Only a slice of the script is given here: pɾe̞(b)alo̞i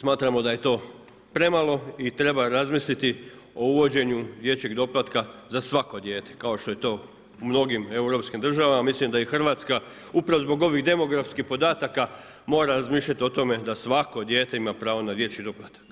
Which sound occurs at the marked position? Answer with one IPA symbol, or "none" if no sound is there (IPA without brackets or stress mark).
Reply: m